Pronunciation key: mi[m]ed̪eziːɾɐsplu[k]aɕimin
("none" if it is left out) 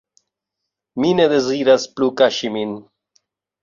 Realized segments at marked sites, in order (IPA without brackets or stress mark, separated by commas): n, k